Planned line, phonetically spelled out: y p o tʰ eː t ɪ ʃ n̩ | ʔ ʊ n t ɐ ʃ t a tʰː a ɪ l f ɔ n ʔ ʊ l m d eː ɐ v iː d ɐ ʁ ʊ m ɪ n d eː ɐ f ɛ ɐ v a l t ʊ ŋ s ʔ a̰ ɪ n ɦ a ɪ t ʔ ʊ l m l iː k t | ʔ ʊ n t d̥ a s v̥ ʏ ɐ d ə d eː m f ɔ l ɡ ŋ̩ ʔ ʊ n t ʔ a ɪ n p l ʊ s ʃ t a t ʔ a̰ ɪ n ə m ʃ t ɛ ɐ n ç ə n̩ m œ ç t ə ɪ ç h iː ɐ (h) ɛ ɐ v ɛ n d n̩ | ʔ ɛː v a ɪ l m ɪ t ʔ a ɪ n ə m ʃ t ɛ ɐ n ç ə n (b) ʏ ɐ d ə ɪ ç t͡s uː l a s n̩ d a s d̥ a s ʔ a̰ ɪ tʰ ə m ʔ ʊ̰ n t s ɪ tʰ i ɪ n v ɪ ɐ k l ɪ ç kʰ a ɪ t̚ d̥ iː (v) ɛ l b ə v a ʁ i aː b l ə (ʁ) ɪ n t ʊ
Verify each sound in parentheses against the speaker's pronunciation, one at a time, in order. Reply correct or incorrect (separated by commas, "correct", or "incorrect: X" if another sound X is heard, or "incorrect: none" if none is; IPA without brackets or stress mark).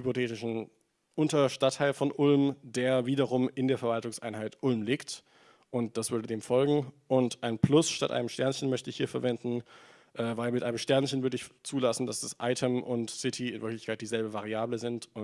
incorrect: f, incorrect: v, incorrect: z, incorrect: z